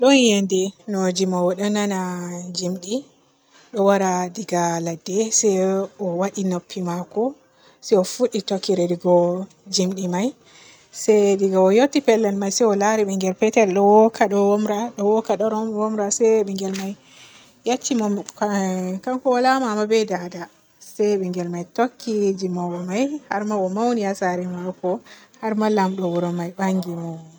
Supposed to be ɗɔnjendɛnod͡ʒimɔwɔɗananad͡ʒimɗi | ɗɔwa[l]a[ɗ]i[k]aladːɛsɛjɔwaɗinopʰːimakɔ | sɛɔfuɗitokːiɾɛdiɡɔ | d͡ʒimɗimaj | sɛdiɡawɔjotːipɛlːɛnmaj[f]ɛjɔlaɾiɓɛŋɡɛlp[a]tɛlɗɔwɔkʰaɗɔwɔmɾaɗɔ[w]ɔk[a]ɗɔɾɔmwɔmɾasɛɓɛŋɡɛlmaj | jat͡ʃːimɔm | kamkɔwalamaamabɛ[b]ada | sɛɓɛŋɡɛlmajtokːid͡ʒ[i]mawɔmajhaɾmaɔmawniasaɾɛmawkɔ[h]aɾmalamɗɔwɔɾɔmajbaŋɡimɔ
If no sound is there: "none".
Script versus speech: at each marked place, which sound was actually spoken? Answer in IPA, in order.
ɾ, d, ɡ, s, ɛ, w, a, d, i, h

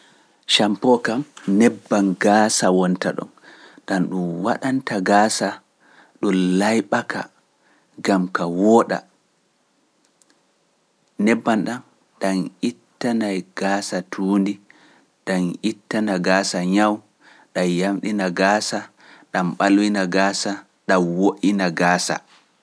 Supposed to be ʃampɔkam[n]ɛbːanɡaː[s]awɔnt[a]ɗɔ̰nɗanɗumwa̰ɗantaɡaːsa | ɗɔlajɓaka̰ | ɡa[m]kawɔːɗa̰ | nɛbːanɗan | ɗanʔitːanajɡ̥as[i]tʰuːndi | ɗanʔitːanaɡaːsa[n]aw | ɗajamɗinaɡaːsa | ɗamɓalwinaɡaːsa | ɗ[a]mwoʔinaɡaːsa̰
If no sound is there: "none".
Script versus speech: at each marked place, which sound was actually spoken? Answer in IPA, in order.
n, s, a, m, a, ɲ, a

